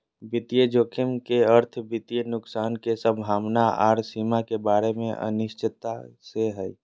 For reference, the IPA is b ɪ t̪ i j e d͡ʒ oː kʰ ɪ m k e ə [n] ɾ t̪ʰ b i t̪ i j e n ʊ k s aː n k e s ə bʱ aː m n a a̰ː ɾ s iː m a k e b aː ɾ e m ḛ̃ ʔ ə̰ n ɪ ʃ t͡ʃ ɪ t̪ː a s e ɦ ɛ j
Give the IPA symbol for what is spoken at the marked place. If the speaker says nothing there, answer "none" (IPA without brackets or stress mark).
none